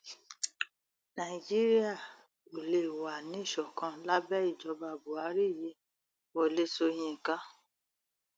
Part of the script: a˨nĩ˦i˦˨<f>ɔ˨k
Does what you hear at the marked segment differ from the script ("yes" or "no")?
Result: yes